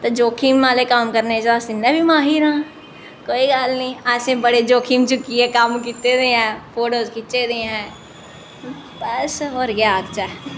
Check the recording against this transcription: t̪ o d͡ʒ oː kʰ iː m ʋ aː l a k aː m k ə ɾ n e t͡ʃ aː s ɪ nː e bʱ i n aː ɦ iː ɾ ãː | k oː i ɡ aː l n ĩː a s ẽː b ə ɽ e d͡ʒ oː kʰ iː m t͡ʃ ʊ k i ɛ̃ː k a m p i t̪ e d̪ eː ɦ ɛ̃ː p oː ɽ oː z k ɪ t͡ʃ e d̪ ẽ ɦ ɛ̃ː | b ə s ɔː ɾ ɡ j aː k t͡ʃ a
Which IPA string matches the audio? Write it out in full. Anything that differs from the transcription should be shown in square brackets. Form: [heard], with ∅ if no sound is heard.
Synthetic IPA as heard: t̪ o d͡ʒ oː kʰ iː m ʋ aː l [e] k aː m k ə ɾ n e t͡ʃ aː s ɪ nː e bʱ i [m] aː ɦ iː ɾ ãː | k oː i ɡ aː l n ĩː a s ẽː b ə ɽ e d͡ʒ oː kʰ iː m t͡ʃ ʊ k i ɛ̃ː k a m [k] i t̪ e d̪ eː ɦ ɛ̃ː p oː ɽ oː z k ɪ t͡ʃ e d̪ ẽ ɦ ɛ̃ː | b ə s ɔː ɾ ɡ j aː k t͡ʃ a

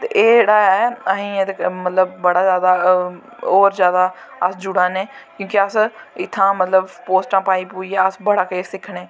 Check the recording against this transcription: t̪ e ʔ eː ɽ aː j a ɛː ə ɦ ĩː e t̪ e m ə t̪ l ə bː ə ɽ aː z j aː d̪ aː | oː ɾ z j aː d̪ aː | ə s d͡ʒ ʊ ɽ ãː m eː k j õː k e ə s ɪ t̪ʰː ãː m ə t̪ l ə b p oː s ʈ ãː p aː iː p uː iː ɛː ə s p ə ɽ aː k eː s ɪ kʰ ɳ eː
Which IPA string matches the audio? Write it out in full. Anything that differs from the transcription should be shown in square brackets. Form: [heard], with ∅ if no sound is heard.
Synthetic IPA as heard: t̪ e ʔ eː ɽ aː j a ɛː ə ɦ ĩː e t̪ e m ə t̪ l ə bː ə ɽ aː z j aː d̪ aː | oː ɾ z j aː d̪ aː | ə s d͡ʒ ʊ ɽ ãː [n] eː k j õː k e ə s ɪ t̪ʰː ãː m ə t̪ l ə b p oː s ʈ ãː p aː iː p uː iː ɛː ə s [b] ə ɽ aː k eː s ɪ kʰ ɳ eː

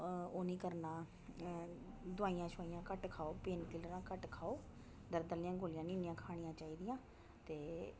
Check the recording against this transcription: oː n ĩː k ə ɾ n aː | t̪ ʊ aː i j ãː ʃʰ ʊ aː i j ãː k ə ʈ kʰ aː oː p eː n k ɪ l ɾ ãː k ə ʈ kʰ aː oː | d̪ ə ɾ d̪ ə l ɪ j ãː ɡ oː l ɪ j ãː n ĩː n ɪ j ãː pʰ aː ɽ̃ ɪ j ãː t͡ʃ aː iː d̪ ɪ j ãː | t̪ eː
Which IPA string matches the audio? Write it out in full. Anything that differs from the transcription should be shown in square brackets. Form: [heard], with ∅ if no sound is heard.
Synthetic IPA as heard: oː n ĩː k ə ɾ n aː | [d̪] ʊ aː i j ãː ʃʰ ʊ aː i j ãː k ə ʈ kʰ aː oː p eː n k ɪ l ɾ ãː k ə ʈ kʰ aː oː | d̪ ə ɾ d̪ ə l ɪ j ãː ɡ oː l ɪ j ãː n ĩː n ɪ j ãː [kʰ] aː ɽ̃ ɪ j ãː t͡ʃ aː iː d̪ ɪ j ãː | t̪ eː

